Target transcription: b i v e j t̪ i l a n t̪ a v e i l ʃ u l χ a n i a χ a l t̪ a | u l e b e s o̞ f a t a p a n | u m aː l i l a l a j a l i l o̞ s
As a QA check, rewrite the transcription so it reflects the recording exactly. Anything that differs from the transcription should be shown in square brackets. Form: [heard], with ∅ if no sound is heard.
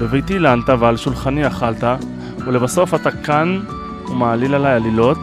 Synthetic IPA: b [e] v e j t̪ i l a n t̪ a v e [a] l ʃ u l χ a n i a χ a l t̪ a | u l e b [a] s o̞ f a t a [k] a n | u m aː l i l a l a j a l i l o̞ [t]